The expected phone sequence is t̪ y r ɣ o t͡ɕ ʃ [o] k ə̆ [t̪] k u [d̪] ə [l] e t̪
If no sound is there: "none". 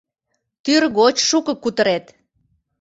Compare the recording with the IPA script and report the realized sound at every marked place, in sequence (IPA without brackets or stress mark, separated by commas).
u, none, t̪, ɾ